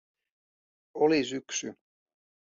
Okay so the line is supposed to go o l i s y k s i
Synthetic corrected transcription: o l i s y k s y